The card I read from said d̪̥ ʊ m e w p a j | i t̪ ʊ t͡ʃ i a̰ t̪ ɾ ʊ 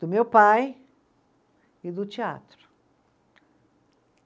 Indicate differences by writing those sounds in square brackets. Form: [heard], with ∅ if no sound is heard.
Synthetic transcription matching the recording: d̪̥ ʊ m e w p a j | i [d̪] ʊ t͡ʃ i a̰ t̪ ɾ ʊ